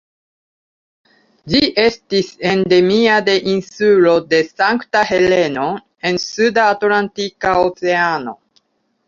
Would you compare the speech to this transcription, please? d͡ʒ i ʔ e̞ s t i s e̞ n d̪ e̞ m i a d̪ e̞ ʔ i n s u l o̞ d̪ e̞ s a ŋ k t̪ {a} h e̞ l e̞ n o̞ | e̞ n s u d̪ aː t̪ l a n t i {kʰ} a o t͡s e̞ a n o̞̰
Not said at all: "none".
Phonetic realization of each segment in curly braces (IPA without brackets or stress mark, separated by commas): a, k